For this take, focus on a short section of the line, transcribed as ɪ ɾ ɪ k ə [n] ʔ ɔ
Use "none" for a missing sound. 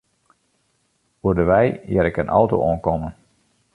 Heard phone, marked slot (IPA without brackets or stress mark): n